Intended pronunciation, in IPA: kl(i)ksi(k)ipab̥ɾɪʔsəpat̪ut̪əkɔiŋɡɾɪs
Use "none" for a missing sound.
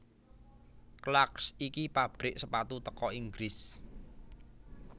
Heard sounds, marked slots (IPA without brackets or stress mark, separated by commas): a, k